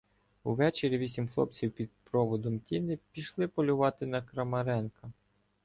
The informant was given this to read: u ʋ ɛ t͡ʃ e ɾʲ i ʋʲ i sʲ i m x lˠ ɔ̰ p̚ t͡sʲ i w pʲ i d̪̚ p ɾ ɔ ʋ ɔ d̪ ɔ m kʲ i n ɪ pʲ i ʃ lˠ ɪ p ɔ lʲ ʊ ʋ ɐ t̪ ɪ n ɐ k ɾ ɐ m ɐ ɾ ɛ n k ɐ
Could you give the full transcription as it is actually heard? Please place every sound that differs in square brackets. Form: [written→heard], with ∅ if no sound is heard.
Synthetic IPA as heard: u ʋ ɛ t͡ʃ e ɾʲ i ʋʲ i sʲ i m x lˠ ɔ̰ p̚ t͡sʲ i w pʲ i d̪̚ p ɾ ɔ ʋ ɔ d̪ ɔ m [kʲ→tʲ] i n ɪ pʲ i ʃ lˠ ɪ p ɔ lʲ ʊ ʋ [ɐ→ɑ] t̪ ɪ n ɐ k ɾ ɐ m ɐ ɾ ɛ n k ɐ